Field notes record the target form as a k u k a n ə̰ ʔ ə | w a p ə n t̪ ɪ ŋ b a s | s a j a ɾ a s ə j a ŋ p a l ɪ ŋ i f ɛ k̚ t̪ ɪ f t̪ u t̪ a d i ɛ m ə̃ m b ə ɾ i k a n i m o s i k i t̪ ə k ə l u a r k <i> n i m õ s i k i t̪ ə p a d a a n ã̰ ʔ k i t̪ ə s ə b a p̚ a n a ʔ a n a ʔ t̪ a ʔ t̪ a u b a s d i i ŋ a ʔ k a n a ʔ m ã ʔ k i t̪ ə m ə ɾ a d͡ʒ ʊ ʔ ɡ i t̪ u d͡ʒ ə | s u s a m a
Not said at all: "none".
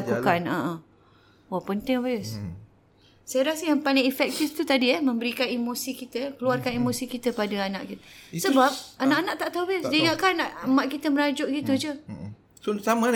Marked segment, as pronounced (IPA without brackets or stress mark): a